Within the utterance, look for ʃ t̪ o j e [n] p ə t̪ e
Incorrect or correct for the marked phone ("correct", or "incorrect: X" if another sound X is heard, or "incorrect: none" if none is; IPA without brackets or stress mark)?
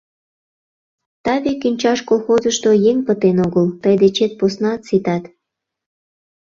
incorrect: ŋ